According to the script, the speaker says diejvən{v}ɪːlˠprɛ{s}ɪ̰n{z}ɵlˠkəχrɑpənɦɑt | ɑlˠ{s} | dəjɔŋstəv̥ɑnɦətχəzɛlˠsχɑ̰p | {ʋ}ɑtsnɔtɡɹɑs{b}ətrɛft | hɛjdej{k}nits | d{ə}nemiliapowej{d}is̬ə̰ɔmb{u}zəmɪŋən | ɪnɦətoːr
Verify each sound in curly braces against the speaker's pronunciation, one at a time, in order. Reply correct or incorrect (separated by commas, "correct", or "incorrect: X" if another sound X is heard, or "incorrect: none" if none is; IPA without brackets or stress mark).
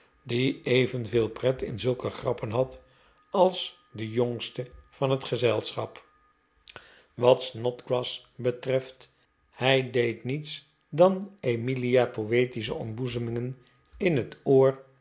correct, incorrect: t, correct, correct, correct, correct, incorrect: t, incorrect: ɑ, incorrect: t, correct